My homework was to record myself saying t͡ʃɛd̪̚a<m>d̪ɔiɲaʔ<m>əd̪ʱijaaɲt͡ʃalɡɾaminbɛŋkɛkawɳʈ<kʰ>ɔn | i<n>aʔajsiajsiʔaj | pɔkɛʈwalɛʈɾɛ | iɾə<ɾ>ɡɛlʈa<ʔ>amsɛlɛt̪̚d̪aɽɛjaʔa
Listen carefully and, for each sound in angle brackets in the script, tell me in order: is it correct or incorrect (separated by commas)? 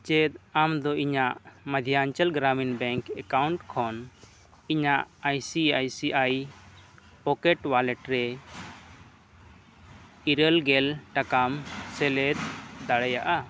correct, correct, correct, incorrect, incorrect, incorrect